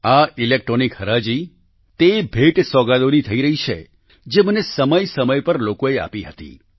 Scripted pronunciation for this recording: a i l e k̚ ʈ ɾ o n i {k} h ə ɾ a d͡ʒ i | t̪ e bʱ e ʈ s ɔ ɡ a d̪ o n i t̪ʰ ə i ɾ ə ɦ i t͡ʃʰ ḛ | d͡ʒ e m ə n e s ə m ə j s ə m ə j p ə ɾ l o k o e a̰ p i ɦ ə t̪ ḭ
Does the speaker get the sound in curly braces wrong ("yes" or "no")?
no